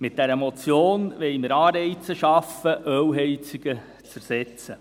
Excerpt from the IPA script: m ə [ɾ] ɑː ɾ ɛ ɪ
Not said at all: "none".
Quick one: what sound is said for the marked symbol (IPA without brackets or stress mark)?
ɾ